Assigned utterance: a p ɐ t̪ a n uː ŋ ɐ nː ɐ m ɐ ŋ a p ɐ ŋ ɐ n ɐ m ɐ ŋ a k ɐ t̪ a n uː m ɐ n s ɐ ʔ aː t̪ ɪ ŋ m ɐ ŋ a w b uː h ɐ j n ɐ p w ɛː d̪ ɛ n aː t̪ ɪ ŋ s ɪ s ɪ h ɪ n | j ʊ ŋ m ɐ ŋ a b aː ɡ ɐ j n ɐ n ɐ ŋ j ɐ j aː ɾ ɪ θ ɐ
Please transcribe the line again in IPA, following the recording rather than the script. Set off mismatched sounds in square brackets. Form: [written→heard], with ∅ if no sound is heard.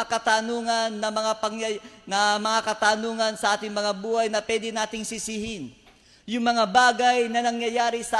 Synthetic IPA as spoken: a [p→k] ɐ t̪ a n uː ŋ ɐ nː ɐ m ɐ ŋ a p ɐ ŋ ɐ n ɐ m ɐ ŋ a k ɐ t̪ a n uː [m→ŋ] ɐ n s ɐ ʔ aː t̪ ɪ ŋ m ɐ ŋ a [w→∅] b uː h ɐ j n ɐ p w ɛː d̪ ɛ n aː t̪ ɪ ŋ s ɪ s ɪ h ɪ n | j ʊ ŋ m ɐ ŋ a b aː ɡ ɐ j n ɐ n ɐ ŋ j ɐ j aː ɾ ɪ [θ→s] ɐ